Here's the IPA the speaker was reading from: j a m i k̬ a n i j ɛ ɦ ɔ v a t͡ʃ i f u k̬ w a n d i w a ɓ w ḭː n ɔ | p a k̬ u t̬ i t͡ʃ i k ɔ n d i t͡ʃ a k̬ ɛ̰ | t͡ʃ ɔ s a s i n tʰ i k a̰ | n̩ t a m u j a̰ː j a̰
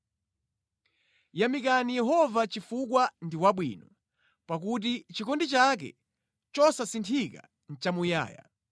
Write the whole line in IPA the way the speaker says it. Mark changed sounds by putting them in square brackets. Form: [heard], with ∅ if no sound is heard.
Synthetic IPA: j a m i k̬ a n i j ɛ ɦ ɔ v a t͡ʃ i f u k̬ w a n d i w a ɓ w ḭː n ɔ | p a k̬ u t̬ i t͡ʃ i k ɔ n d i t͡ʃ a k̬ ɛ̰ | t͡ʃ ɔ s a s i n tʰ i k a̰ | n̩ [t͡ʃ] a m u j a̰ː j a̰